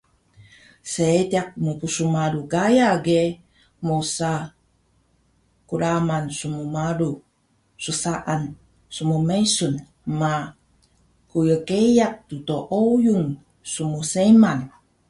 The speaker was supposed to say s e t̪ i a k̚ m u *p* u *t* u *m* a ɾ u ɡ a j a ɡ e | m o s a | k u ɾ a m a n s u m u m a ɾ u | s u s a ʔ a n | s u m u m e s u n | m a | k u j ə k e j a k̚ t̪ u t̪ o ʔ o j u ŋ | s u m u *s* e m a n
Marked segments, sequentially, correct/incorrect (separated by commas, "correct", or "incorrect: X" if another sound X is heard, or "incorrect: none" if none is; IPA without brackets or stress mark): correct, incorrect: s, correct, correct